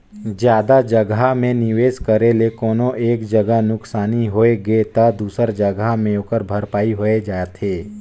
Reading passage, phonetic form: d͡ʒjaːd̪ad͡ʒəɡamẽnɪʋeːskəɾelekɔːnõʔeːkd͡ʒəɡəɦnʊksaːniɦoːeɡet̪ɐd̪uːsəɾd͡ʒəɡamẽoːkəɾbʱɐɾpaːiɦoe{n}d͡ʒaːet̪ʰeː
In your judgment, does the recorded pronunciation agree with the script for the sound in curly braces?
no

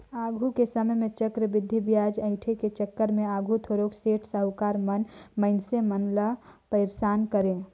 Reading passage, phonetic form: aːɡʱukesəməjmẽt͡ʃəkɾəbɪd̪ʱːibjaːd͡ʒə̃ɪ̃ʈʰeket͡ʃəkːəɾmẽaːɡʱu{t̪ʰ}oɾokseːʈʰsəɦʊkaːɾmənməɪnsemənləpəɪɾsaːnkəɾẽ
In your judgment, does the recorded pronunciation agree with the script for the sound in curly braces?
yes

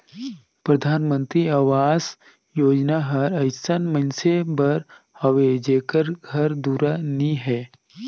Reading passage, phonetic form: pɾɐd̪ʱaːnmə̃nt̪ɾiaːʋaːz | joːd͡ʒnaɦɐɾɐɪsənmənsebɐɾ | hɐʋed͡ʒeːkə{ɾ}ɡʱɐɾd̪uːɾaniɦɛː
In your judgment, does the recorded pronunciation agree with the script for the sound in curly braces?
yes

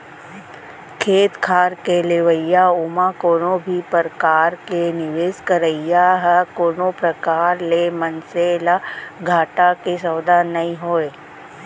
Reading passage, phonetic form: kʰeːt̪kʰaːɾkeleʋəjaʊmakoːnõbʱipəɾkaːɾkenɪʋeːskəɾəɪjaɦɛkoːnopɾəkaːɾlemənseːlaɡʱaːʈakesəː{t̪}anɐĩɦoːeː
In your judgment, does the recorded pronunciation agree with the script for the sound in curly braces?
no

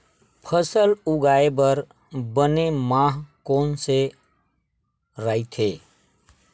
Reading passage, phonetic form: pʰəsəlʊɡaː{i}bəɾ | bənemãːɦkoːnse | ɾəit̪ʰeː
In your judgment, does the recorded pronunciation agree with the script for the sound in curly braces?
no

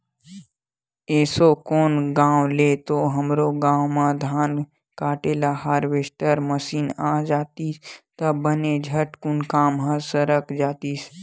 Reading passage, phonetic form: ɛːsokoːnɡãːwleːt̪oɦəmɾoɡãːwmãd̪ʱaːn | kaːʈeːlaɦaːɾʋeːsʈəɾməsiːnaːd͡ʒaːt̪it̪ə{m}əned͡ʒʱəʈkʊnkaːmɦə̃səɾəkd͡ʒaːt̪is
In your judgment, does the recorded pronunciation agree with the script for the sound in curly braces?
no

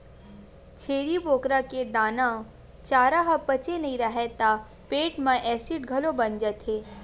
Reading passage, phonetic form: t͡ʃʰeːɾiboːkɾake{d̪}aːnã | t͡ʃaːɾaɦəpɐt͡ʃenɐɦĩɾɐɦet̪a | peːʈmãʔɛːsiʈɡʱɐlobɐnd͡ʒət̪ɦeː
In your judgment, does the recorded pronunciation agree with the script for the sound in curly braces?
yes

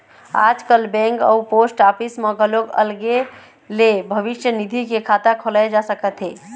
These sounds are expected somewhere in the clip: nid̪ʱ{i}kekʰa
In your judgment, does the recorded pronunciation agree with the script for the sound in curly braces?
yes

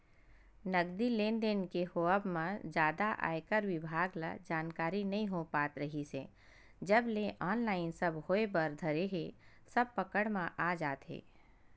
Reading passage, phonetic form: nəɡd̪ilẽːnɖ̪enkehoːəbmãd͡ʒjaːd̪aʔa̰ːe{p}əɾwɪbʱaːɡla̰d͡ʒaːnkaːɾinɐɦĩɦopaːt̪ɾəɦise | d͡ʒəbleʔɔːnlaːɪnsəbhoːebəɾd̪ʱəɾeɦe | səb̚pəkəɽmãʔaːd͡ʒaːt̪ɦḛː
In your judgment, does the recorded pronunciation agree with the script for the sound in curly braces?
no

